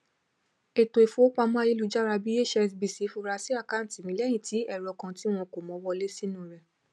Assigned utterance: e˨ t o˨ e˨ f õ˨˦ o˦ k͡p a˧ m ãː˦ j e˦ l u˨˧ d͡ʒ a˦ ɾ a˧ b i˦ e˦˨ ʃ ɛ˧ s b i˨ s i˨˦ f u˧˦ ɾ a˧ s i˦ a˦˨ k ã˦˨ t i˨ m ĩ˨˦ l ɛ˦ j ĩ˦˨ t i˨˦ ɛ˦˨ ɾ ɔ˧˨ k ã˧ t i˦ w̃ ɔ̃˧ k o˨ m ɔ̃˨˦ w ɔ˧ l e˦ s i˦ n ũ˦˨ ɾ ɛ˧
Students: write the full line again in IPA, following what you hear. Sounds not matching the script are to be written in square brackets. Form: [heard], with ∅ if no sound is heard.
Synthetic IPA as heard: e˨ t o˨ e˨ f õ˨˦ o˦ k͡p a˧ m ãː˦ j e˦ l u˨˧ d͡ʒ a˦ ɾ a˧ b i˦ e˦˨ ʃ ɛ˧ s b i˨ s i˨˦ f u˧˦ ɾ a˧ s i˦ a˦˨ k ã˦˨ t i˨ m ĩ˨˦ l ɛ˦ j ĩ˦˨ t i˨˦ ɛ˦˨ ɾ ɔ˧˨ k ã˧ t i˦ w̃ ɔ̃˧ k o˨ m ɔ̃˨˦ w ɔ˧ l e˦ s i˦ n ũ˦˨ ɾ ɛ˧